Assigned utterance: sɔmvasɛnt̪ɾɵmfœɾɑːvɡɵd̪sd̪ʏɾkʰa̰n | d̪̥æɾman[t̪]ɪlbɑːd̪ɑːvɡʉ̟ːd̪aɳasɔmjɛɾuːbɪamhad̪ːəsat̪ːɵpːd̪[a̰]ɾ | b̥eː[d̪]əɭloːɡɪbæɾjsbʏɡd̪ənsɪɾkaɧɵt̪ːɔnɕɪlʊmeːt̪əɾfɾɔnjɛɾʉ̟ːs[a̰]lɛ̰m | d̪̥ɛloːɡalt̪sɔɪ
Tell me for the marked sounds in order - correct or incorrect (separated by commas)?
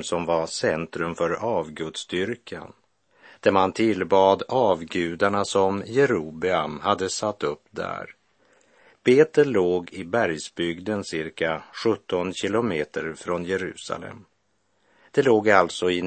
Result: incorrect, incorrect, incorrect, correct